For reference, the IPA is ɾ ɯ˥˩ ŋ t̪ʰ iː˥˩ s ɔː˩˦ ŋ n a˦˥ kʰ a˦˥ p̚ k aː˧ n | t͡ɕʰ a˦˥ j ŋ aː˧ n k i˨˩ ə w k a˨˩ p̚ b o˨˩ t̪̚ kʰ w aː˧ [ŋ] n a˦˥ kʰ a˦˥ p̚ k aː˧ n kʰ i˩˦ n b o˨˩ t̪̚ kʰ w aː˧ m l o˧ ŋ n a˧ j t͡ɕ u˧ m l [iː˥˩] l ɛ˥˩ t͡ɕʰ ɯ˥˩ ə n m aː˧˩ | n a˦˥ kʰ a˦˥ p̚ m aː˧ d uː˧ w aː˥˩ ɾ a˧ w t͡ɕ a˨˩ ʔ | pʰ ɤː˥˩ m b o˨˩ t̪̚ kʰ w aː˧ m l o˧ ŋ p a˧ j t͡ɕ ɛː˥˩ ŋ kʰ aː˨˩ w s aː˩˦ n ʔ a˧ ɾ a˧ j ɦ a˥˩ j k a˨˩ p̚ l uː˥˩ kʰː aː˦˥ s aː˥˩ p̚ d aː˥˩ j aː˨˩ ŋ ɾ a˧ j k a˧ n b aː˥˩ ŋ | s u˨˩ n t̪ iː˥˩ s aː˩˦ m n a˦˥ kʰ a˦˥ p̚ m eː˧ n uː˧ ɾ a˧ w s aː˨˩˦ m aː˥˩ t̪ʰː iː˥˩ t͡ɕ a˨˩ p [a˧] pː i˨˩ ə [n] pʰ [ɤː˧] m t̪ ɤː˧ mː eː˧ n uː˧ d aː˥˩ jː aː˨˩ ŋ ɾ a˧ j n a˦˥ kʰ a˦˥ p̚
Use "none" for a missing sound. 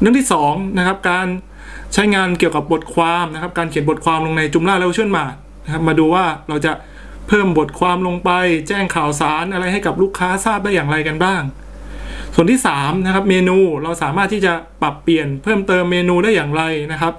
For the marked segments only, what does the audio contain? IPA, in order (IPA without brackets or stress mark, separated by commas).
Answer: m, aː˥˩, a˨˩, n, ɤː˥˩